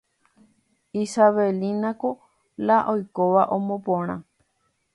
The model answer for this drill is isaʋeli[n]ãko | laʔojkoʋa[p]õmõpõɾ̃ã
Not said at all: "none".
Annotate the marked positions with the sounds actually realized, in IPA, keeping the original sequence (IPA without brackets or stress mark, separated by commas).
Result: n, ʔ